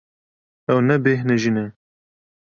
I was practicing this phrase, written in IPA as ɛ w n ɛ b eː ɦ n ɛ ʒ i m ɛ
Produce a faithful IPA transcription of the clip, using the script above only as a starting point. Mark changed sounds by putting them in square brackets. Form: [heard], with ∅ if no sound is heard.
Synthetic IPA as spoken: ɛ w n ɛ b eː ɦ n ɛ ʒ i [n] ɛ